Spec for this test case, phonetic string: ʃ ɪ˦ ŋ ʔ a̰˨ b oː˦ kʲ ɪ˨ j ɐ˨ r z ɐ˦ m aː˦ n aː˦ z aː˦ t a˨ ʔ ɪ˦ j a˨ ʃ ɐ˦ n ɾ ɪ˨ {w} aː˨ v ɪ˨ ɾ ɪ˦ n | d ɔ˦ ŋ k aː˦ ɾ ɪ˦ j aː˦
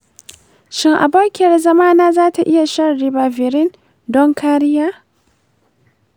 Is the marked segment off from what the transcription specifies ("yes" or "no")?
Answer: yes